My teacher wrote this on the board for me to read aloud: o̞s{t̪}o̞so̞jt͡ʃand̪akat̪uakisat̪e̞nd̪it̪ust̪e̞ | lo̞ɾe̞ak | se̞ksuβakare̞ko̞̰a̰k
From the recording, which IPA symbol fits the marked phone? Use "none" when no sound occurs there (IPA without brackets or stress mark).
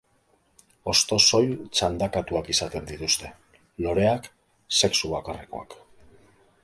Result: t̪